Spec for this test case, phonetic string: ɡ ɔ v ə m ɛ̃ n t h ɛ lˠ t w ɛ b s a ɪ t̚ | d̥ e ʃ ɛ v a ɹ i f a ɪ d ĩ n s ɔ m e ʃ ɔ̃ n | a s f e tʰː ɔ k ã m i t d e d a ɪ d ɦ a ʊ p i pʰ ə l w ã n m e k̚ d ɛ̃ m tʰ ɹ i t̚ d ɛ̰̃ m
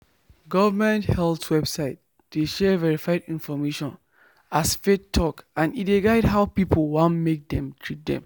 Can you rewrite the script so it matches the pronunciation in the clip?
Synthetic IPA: ɡ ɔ v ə m ɛ̃ n t h ɛ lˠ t w ɛ b s a ɪ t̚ | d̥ e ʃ ɛ v ɛ ɹ i f a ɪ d ĩ n f ɔ m e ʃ ɔ̃ n | a s f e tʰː ɔ k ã n i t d e ɡ a ɪ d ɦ a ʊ p i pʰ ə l w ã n m e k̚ d ɛ̃ m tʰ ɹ i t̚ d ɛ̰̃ m